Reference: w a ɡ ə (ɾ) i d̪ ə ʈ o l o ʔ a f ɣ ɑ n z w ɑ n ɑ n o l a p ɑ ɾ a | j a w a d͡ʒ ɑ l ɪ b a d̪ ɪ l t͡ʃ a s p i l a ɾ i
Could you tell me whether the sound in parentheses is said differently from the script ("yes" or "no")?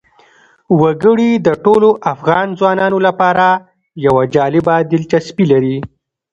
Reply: yes